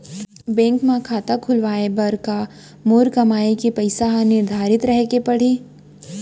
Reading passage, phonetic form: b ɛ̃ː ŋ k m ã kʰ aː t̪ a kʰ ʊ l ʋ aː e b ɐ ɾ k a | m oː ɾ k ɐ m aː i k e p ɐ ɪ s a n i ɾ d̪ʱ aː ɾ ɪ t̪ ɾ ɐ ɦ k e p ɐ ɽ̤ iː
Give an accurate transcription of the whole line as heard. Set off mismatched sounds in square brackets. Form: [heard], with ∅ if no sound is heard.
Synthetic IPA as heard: b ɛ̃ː ŋ k m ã kʰ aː t̪ a kʰ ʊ l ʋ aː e b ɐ ɾ k a | m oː ɾ k ɐ m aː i k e p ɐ ɪ s a n [ɪ] ɾ d̪ʱ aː ɾ ɪ t̪ ɾ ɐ ɦ k e p ɐ ɽ̤ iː